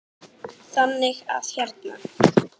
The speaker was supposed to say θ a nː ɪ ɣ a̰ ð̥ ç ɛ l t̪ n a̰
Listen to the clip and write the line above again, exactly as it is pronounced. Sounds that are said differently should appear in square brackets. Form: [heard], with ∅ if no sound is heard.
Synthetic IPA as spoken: θ a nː ɪ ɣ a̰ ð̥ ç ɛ [ɾ] t̪ n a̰